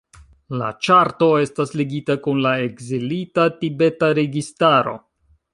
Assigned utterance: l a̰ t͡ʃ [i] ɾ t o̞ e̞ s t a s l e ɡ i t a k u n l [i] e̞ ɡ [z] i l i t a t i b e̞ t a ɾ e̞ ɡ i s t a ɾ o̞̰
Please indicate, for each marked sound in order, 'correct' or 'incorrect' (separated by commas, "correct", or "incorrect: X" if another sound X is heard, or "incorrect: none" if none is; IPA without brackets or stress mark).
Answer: incorrect: a, incorrect: a, correct